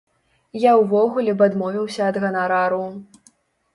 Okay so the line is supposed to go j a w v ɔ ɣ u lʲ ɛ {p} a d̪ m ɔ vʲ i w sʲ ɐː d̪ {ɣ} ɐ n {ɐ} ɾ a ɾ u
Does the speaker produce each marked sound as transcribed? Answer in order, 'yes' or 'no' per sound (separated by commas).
no, yes, no